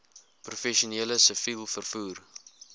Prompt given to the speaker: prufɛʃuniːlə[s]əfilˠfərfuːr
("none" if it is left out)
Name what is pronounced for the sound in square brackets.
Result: s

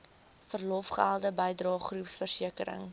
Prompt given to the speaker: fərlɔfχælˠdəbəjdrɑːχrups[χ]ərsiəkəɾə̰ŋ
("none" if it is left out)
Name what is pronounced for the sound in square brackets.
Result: f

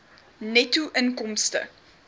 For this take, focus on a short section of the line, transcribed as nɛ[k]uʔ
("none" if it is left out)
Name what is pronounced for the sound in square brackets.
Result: t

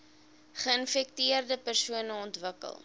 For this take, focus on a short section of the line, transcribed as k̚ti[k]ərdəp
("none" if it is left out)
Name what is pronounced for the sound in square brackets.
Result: none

